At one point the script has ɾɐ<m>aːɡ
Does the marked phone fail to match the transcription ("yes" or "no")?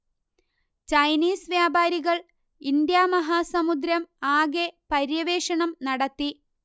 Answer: no